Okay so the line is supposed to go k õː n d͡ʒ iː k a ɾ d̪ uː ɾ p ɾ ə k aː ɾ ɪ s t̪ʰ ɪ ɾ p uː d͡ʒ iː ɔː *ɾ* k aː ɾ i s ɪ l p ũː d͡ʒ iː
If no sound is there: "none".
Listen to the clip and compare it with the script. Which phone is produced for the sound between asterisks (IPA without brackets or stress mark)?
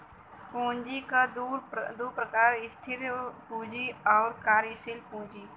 ɾ